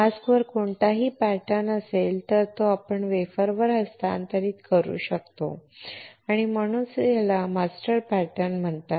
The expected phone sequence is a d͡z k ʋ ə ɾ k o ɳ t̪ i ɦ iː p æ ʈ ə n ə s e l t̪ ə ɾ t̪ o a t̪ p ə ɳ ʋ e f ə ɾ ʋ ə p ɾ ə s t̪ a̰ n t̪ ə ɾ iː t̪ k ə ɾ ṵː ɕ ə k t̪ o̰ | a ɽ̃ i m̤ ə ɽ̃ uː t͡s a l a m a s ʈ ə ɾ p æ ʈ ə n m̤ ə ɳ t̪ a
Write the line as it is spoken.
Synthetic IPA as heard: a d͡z k ʋ ə ɾ k o ɳ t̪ a ɦ iː p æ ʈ ə n ə s e l t̪ ə ɾ t̪ o a p ə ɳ ʋ e f ə ɾ ʋ ə ɾ ə s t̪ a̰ n t̪ ə ɾ iː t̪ k ə ɾ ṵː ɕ ə k t̪ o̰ | a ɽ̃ i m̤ ə ɽ̃ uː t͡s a l a m a s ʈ ə ɾ p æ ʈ ə n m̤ ə ɳ t̪ a